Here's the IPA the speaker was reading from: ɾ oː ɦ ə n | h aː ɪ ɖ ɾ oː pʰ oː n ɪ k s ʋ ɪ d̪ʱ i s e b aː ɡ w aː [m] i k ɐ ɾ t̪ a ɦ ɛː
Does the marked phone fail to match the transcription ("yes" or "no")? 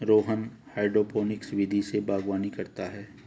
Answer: yes